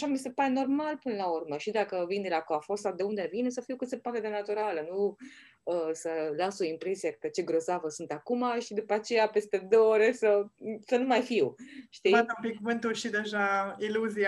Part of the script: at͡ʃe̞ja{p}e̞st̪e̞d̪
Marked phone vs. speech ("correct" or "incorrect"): correct